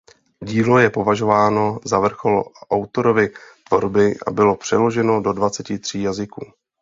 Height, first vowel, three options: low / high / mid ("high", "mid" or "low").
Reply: high